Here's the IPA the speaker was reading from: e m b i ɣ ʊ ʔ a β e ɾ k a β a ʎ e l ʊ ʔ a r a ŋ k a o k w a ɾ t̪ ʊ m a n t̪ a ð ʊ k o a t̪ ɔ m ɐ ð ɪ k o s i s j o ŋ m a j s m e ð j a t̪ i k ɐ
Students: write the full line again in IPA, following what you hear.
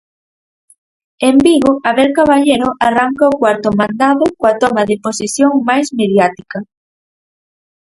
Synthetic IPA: e m b i ɣ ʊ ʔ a β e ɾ k a β a ʎ e ɾ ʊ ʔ a r a ŋ k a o k w a ɾ t̪ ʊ m a n d̪ a ð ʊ k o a t̪ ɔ m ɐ ð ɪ p o s i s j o ŋ m a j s m e ð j a t̪ i k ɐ